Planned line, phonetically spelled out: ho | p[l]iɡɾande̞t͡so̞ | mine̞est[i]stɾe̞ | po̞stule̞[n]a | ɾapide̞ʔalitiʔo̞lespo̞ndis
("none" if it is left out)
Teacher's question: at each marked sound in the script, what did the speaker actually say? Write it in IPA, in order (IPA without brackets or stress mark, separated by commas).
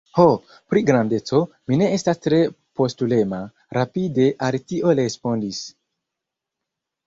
ɾ, a, m